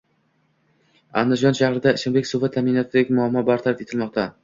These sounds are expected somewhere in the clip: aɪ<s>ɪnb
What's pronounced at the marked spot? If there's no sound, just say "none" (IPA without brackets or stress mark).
ʃ